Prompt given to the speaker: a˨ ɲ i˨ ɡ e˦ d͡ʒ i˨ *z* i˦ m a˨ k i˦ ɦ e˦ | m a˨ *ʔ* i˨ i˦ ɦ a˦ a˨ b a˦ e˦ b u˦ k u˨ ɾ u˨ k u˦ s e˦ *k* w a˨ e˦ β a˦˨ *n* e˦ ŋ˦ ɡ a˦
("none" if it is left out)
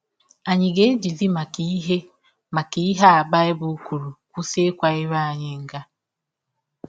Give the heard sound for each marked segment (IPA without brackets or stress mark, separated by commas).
z, k, k, ɲ